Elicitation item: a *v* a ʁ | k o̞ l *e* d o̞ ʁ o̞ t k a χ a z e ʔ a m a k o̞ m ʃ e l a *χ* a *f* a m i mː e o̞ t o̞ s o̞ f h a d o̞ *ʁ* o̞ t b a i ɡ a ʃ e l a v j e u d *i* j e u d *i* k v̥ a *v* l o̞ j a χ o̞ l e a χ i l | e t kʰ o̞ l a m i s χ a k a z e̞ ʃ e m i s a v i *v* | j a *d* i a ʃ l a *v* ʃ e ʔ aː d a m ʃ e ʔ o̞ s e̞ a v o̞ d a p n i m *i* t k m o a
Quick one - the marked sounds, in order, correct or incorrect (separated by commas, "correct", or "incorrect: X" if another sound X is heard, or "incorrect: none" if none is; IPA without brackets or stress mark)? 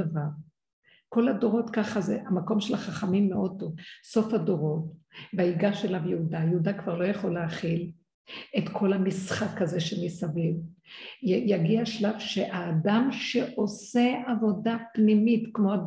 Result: correct, incorrect: a, correct, incorrect: χ, correct, incorrect: a, incorrect: a, incorrect: ʁ, correct, incorrect: ɡ, correct, correct